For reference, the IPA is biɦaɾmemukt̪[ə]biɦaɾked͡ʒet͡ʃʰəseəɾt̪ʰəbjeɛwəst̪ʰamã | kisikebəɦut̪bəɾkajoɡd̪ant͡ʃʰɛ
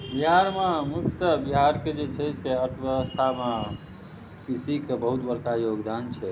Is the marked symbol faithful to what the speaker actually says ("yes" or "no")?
yes